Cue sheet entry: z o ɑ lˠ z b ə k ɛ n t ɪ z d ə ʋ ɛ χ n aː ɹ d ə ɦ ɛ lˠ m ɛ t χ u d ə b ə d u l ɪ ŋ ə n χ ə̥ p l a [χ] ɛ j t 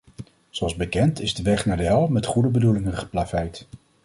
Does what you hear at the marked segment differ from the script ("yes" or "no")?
yes